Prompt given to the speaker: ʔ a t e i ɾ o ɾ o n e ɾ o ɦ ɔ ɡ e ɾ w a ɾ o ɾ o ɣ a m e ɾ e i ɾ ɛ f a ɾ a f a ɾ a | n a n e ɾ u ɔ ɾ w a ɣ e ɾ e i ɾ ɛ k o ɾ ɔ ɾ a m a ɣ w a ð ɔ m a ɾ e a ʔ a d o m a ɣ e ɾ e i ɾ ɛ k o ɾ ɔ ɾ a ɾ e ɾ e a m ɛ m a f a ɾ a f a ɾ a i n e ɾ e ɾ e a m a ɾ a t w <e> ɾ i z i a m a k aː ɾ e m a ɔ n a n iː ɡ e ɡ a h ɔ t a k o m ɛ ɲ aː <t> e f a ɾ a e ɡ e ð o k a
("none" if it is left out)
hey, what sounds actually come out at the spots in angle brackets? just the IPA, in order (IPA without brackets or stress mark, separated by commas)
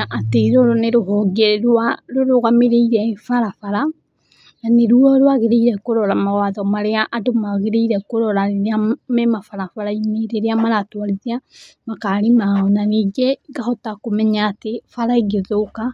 a, t